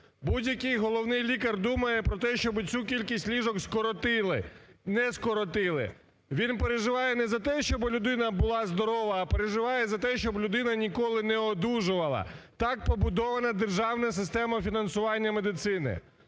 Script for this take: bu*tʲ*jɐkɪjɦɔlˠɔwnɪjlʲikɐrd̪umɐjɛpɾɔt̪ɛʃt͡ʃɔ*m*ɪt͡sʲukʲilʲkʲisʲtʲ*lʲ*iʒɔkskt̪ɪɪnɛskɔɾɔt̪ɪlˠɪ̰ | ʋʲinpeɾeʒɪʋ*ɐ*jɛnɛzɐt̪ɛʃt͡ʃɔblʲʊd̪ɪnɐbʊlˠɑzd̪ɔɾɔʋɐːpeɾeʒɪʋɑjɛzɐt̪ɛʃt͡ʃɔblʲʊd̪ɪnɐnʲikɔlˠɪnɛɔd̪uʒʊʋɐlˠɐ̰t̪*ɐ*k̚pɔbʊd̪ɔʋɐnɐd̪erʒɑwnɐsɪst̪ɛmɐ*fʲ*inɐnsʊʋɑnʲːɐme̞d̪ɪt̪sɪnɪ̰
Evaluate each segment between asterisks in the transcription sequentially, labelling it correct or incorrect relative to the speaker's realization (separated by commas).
incorrect, incorrect, correct, incorrect, incorrect, correct